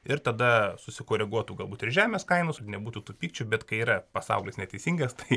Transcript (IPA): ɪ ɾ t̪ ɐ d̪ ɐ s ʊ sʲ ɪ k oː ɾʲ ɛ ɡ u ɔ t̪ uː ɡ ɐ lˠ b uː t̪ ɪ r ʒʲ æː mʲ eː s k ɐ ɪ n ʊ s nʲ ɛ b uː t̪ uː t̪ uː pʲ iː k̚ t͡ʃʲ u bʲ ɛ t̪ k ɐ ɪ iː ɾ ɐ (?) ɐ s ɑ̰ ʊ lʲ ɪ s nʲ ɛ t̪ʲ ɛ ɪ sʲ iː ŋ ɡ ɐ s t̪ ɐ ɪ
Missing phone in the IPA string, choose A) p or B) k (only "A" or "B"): A